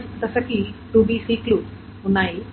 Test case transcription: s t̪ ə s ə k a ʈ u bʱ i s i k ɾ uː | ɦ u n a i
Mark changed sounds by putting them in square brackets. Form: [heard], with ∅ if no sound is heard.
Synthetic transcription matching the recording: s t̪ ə s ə k [i] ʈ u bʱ i s i k [l] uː | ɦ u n a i